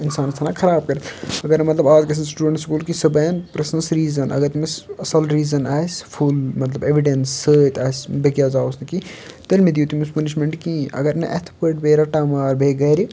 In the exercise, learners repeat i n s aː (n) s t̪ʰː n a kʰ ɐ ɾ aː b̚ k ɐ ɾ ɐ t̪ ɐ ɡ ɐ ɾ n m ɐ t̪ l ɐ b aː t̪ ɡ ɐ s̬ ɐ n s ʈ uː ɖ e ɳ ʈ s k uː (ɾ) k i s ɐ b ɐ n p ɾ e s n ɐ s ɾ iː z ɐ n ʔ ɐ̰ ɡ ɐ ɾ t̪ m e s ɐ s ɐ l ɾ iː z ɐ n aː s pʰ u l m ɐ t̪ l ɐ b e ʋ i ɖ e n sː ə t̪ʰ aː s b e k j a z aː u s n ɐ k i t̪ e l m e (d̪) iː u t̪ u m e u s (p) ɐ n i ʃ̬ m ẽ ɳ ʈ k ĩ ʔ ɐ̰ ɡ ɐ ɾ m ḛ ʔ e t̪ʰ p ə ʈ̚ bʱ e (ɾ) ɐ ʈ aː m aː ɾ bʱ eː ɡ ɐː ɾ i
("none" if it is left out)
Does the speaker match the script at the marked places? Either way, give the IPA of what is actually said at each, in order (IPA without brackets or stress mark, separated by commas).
n, l, d̪, p, ɾ